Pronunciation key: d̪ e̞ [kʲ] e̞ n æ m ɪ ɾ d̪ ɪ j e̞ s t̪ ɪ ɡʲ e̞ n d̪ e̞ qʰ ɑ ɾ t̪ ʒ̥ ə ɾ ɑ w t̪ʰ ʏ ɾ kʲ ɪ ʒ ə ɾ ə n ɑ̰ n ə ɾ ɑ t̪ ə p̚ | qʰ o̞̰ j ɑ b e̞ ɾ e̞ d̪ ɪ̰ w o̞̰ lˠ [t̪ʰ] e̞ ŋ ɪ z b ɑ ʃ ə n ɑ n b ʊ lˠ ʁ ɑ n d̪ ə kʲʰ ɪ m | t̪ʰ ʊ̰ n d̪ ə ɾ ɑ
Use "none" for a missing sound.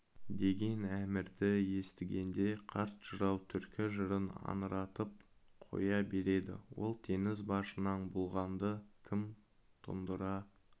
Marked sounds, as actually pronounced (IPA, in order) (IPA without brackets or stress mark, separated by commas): ɡʲ, t̪ʰ